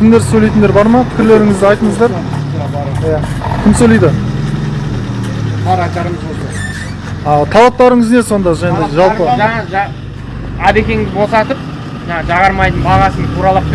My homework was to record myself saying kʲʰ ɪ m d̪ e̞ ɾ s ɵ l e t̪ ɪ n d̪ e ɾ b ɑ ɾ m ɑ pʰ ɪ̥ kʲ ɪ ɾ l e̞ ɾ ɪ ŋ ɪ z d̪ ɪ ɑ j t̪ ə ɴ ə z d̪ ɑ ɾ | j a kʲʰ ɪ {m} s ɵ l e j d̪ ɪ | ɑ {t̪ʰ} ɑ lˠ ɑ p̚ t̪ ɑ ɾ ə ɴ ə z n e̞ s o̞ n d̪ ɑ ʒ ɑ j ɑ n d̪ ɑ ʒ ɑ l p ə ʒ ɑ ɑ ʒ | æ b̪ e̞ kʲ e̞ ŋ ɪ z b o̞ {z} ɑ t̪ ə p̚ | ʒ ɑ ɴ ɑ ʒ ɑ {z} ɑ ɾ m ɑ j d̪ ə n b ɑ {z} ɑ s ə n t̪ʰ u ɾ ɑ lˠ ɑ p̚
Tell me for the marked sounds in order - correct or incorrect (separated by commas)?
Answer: correct, correct, incorrect, incorrect, incorrect